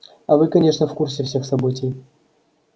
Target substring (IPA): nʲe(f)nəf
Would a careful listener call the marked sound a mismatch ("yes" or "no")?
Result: yes